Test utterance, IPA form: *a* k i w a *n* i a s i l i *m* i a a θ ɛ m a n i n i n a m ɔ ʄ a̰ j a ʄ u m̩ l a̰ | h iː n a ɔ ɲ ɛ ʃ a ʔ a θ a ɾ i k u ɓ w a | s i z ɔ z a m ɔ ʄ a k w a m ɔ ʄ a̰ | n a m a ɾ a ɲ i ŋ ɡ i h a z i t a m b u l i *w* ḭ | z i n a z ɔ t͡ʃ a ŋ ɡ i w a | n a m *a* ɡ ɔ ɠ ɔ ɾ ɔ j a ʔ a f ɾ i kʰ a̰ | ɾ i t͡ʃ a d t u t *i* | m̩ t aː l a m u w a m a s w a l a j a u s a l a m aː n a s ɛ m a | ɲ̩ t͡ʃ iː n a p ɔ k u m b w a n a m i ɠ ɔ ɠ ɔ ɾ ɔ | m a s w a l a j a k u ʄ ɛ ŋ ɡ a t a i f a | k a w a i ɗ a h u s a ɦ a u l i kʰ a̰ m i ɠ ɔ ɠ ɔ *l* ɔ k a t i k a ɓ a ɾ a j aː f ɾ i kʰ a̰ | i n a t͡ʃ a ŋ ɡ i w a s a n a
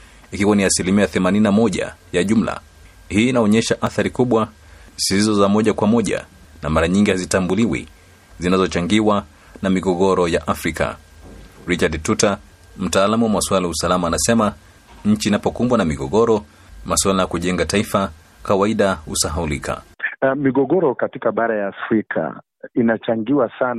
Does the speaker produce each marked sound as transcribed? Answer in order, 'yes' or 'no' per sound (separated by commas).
no, yes, yes, yes, no, no, no